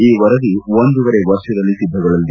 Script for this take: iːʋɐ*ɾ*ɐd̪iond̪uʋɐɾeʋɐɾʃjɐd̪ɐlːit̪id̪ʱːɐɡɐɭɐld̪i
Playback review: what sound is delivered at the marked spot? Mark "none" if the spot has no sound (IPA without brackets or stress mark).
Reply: ɾ